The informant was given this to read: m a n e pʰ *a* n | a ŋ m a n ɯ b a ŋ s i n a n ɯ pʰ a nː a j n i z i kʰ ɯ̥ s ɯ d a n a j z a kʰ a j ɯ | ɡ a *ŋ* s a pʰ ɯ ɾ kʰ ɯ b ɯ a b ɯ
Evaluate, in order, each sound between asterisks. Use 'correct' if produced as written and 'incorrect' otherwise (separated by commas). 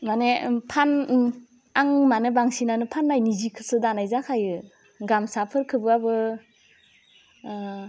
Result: correct, incorrect